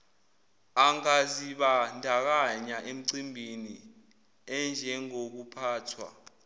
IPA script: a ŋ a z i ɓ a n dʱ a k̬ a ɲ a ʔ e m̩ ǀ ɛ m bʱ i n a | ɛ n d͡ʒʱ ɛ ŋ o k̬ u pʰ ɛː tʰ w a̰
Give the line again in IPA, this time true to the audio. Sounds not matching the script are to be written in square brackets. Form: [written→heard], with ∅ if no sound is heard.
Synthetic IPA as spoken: a ŋ a z i ɓ a n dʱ a k̬ a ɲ a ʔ e m̩ ǀ [ɛ→i] m bʱ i n [a→i] | ɛ n d͡ʒʱ ɛ ŋ o k̬ u pʰ [ɛː→aː] tʰ w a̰